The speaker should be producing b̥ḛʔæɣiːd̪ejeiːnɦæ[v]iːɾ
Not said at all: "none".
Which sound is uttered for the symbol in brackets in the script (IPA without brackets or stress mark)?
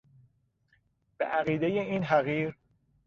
ɣ